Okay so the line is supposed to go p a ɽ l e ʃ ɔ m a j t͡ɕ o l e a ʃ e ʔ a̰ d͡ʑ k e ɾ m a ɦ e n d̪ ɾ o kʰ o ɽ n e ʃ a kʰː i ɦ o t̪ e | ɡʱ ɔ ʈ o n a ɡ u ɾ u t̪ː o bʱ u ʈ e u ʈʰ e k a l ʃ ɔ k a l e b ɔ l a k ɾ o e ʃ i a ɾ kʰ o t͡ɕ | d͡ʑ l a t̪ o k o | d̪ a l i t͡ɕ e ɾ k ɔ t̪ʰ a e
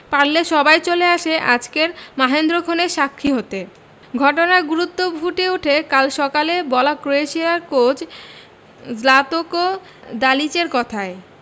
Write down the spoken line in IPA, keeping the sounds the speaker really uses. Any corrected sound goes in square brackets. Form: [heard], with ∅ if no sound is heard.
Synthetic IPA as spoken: p a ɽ l e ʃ ɔ [b] a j t͡ɕ o l e a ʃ e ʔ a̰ d͡ʑ k e ɾ m a ɦ e n d̪ ɾ o kʰ o [∅] n e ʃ a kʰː i ɦ o t̪ e | ɡʱ ɔ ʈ o n a ɡ u ɾ u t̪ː o bʱ u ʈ e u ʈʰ e k a l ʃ ɔ k a l e b ɔ l a k ɾ o e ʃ i a ɾ [k] o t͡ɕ | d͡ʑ l a t̪ o k o | d̪ a l i t͡ɕ e ɾ k ɔ t̪ʰ a e